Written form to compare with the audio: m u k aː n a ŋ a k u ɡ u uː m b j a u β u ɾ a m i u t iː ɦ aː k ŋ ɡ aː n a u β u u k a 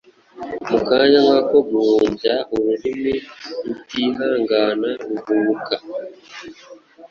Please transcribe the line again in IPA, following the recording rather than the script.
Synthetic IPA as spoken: m u k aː ɲ a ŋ a k o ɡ u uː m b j a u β u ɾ i m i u t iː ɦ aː ŋ ɡ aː n a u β u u k a